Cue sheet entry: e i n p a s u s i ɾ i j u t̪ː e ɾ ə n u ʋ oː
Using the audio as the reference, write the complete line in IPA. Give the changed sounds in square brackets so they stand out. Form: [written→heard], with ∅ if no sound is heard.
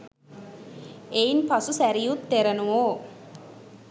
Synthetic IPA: e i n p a s u s [i→æ] ɾ i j u t̪ː e ɾ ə n u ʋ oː